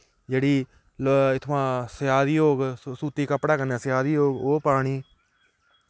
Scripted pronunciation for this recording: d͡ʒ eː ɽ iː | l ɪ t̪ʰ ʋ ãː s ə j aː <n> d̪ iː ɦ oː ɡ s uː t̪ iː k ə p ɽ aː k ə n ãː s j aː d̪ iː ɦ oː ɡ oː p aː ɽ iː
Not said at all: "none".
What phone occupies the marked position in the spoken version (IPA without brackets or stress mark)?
none